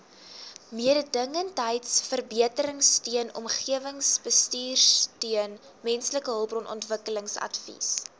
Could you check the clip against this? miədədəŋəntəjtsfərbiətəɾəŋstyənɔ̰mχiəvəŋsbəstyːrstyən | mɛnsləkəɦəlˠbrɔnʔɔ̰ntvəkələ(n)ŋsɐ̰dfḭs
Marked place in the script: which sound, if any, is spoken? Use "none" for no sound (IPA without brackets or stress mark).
none